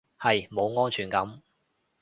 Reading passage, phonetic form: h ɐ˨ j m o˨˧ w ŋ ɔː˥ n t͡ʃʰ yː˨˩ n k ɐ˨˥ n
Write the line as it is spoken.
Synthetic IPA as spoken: h ɐ˨ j m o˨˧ w ŋ ɔː˥ n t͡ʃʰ yː˨˩ n k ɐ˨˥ m